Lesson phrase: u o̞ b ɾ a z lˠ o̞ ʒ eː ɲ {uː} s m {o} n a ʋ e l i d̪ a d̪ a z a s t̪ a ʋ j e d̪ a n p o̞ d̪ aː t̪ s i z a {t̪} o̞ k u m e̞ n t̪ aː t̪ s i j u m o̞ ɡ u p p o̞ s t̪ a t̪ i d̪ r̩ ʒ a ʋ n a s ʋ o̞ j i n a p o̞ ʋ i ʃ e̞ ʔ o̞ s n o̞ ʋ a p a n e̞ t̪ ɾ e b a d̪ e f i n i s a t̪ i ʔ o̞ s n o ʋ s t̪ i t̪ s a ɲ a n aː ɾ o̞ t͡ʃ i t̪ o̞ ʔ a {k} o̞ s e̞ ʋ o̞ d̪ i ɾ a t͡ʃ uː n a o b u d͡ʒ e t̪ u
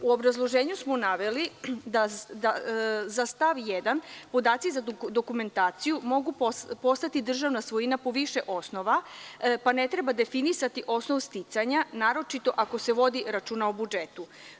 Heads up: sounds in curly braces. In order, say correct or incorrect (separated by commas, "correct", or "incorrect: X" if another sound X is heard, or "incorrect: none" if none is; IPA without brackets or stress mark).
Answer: incorrect: u, correct, incorrect: d̪, correct